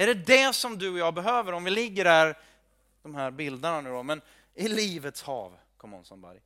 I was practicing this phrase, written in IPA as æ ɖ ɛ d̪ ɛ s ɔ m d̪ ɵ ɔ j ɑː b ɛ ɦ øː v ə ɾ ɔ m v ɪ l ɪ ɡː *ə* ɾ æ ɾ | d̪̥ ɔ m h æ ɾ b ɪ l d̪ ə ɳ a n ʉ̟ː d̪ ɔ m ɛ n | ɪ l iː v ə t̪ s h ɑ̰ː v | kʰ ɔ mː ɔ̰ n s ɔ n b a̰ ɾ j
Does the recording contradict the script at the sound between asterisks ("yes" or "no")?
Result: no